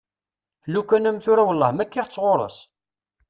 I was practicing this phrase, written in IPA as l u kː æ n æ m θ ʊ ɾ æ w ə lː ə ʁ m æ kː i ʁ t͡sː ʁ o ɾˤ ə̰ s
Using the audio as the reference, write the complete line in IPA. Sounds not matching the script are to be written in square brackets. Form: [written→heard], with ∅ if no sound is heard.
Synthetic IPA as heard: l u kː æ n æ m θ ʊ ɾ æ w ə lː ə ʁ m æ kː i ʁ t͡sː ʁ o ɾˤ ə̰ s